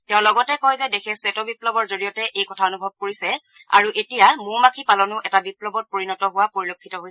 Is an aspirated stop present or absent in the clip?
present